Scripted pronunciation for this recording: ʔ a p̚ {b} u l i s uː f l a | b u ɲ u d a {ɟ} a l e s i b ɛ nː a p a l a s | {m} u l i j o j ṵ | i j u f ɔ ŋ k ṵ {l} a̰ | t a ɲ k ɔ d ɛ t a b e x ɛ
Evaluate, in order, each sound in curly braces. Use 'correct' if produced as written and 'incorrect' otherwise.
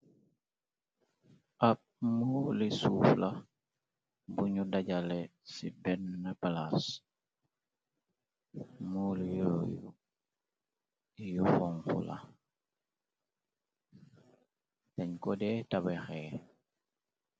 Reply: incorrect: m, correct, correct, correct

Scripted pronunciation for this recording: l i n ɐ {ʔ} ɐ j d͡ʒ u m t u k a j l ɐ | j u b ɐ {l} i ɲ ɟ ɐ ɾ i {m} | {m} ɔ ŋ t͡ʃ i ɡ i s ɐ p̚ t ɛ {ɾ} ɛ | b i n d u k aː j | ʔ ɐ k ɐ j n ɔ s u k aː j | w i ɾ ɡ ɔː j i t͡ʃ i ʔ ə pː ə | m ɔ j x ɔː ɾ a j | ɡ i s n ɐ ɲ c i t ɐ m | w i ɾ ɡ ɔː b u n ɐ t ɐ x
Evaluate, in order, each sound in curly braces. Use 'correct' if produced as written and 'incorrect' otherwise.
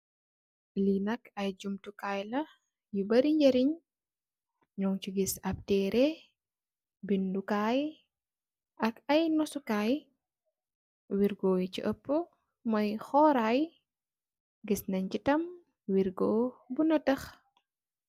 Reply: incorrect: k, incorrect: ɾ, incorrect: ɲ, incorrect: ɲ, correct

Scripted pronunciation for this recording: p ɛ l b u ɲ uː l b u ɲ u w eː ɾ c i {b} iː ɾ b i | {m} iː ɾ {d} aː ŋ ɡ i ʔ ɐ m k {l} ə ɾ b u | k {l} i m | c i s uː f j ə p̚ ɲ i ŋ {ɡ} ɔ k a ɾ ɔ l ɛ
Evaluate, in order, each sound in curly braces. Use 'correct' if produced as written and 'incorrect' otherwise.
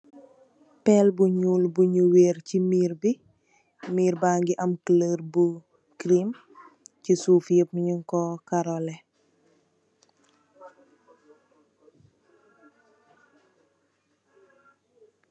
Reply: incorrect: m, correct, incorrect: b, correct, incorrect: ɾ, incorrect: k

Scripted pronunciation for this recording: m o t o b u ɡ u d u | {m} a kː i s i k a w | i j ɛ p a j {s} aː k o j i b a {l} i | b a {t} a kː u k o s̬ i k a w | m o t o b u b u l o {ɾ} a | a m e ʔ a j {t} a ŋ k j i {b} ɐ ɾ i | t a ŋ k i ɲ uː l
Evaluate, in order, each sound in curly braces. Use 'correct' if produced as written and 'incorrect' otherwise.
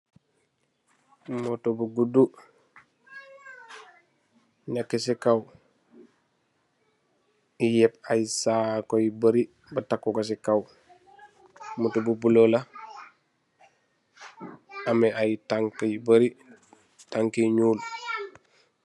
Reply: incorrect: ɲ, correct, incorrect: ɾ, correct, incorrect: l, correct, correct

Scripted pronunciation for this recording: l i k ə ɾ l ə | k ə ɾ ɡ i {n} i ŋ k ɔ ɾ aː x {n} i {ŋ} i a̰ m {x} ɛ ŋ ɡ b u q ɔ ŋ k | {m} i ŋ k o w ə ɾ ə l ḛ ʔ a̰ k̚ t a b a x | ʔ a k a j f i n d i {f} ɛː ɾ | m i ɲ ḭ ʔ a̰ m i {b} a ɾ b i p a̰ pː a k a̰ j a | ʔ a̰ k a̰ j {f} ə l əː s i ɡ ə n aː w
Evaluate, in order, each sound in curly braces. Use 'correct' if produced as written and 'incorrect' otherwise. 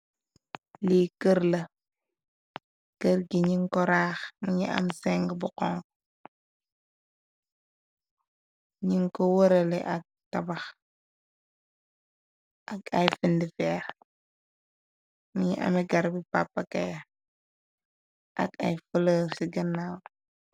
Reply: incorrect: ɲ, incorrect: m, incorrect: ɲ, incorrect: s, incorrect: ɲ, correct, incorrect: ɡ, correct

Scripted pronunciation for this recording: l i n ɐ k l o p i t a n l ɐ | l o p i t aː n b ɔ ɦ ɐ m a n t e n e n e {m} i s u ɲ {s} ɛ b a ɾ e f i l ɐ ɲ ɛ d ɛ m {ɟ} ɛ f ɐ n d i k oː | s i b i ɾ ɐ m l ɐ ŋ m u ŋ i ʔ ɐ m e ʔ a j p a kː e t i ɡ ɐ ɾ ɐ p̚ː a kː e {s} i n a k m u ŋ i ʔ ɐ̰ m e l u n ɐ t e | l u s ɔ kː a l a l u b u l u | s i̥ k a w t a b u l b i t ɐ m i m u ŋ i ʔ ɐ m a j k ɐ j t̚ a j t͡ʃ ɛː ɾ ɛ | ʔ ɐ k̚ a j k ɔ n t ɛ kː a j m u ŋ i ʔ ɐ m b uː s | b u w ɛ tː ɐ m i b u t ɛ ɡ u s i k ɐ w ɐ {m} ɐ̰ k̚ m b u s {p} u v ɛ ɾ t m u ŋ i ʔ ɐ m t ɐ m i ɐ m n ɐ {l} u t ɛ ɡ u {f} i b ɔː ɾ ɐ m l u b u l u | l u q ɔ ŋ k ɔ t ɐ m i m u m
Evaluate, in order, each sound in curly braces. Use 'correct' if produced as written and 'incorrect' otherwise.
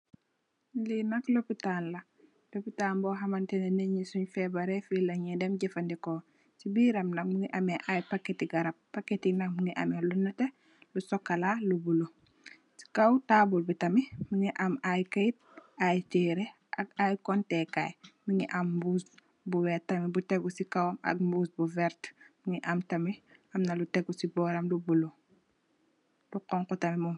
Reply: incorrect: ɲ, incorrect: f, correct, incorrect: t, correct, incorrect: b, correct, incorrect: s

